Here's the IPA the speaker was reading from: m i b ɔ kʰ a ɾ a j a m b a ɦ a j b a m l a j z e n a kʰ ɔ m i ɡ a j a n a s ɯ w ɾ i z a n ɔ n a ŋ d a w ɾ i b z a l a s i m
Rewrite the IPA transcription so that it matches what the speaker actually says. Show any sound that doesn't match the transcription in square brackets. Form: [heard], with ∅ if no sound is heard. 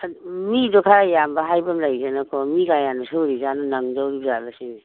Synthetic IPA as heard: m i [d] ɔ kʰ a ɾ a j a m b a ɦ a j b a m l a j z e n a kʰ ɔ m i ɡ a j a n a s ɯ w ɾ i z a n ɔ n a ŋ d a w ɾ i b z a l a s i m